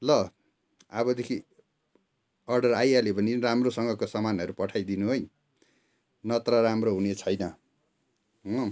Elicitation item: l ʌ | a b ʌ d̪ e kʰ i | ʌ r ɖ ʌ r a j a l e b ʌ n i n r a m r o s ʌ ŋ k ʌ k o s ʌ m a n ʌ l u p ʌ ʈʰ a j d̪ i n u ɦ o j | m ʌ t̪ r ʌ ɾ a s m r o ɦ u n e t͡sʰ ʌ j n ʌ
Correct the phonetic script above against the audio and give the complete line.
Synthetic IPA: l ʌ | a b ʌ d̪ e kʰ i | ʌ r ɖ ʌ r a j a l e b ʌ n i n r a m r o s ʌ ŋ ɡ ʌ k o s ʌ m a n ʌ ɾ u p ʌ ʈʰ a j d̪ i n u ɦ o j | n ʌ t̪ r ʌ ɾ a m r o ɦ u n e t͡sʰ ʌ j n ʌ